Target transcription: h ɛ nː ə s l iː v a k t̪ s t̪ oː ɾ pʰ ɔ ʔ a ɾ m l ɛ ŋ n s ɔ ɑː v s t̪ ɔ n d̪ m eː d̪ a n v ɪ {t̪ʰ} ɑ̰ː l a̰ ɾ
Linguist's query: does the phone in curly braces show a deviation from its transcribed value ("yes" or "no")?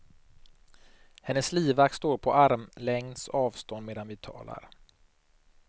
no